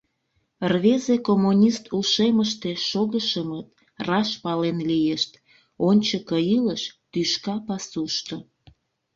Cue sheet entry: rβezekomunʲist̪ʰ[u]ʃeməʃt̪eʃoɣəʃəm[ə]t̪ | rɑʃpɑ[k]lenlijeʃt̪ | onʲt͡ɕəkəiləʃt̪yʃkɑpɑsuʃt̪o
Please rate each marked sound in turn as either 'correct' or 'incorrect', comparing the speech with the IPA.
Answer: correct, correct, incorrect: none

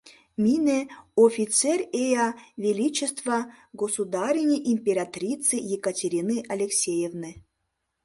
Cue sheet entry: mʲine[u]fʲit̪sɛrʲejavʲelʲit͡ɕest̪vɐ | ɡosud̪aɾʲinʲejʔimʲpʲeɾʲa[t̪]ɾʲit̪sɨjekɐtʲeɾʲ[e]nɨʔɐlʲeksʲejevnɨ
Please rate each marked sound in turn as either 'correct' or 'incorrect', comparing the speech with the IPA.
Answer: incorrect: o, correct, incorrect: i

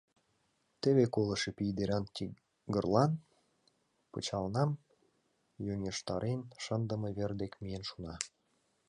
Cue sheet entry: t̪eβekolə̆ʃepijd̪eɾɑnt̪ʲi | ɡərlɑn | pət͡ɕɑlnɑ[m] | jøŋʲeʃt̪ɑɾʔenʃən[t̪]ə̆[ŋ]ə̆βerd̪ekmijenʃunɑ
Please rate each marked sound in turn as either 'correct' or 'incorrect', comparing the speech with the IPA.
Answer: correct, incorrect: d̪, incorrect: m

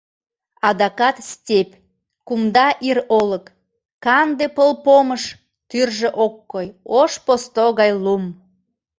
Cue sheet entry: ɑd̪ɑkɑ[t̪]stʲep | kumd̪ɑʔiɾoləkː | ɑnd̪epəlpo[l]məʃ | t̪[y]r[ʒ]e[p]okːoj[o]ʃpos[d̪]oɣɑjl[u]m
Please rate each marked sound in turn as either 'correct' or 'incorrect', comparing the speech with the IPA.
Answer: correct, incorrect: none, correct, correct, incorrect: ʔ, correct, incorrect: t̪, correct

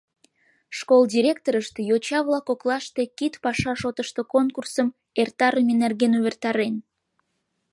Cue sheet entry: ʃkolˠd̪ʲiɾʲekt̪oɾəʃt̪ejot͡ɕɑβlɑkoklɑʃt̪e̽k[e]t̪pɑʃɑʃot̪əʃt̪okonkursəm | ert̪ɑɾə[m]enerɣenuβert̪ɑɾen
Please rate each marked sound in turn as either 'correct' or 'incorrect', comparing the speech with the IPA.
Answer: incorrect: i, correct

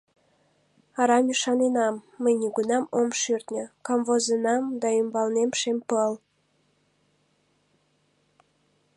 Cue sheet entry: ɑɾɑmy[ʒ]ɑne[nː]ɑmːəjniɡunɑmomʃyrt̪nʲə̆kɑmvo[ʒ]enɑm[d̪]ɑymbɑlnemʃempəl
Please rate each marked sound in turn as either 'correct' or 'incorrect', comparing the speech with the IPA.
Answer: incorrect: ʃ, incorrect: n, incorrect: z, correct

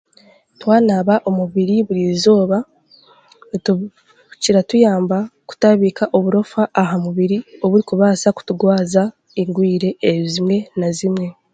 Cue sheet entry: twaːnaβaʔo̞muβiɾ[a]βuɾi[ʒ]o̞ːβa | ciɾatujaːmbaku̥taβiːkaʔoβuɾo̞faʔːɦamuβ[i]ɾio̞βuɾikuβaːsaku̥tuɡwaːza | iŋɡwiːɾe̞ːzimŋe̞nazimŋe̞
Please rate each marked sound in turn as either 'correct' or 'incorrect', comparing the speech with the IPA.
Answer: incorrect: i, incorrect: z, correct

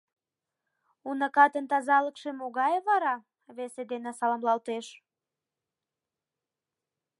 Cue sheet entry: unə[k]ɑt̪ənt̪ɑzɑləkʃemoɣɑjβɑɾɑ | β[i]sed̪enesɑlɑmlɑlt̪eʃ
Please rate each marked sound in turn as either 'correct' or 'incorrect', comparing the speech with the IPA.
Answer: correct, incorrect: e

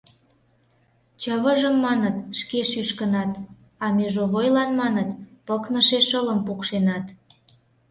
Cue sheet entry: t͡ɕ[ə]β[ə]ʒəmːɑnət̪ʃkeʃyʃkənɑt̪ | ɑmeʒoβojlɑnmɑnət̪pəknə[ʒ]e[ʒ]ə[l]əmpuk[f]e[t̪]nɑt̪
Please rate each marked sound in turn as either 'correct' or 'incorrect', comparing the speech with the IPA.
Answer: correct, correct, incorrect: ʃ, incorrect: ʃ, correct, incorrect: ʃ, incorrect: none

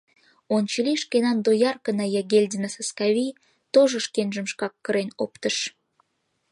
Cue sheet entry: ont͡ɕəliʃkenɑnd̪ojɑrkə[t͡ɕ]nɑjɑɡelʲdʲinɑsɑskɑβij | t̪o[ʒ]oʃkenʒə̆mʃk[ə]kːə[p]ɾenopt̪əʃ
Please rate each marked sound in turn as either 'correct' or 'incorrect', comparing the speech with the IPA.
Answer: incorrect: none, correct, incorrect: ɑ, incorrect: none

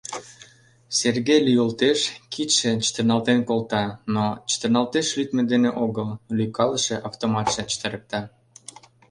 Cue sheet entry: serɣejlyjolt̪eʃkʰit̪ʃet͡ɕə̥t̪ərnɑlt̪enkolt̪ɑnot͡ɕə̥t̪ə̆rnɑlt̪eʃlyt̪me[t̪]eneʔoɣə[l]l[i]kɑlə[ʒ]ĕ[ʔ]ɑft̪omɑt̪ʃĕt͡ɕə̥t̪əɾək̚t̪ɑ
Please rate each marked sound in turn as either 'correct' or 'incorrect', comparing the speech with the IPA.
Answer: incorrect: d̪, correct, incorrect: y, incorrect: ʃ, correct

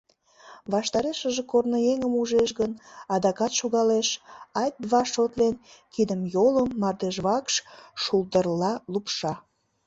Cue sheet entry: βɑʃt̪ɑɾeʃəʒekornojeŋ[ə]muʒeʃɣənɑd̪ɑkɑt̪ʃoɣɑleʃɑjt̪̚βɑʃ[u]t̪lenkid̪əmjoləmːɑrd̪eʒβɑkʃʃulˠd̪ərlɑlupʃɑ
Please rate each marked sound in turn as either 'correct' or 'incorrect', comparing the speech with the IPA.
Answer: correct, incorrect: o

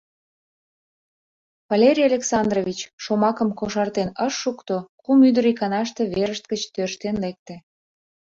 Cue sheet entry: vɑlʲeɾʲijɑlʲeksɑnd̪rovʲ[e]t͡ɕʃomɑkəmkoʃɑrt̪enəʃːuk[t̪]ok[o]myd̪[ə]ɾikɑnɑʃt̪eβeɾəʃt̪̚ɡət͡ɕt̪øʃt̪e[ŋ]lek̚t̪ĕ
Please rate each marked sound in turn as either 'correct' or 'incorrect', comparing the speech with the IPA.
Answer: incorrect: i, correct, incorrect: u, correct, incorrect: n

